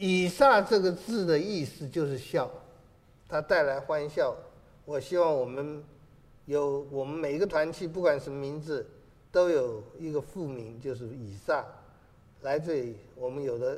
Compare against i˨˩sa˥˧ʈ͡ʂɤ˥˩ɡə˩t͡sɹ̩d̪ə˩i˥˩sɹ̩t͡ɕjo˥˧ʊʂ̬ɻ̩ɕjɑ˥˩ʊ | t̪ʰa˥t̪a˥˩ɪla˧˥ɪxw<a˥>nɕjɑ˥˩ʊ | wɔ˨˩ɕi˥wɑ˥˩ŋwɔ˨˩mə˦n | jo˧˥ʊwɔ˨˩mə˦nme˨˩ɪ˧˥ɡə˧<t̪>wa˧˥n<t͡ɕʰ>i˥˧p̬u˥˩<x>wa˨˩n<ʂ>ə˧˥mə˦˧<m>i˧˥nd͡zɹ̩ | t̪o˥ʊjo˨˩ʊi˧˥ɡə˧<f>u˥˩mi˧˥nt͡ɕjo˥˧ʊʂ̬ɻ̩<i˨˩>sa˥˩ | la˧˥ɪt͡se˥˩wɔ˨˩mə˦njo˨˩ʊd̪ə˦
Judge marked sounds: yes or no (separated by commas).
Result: yes, no, yes, no, yes, yes, yes, yes